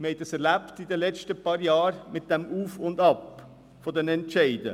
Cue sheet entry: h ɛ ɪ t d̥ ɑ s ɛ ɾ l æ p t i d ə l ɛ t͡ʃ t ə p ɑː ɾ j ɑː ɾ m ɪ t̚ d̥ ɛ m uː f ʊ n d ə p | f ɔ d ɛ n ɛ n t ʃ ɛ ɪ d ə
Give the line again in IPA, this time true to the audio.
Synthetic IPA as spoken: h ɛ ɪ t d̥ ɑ s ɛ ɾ l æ p t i d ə l ɛ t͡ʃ t ə p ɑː ɾ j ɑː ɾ m ɪ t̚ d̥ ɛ m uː f ʊ n d ɑ p | f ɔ d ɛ n ɛ n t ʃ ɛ ɪ d ə